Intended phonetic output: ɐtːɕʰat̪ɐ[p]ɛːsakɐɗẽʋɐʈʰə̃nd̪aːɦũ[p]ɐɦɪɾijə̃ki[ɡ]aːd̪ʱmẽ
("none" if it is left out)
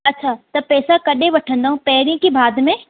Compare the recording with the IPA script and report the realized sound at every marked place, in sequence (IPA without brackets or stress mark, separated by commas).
p, p, b